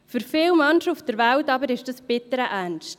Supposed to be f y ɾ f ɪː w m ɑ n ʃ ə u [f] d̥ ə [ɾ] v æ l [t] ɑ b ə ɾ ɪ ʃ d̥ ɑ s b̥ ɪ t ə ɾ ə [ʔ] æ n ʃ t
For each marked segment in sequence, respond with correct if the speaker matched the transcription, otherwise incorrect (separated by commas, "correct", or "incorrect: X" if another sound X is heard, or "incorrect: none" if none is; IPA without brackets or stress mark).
correct, correct, correct, correct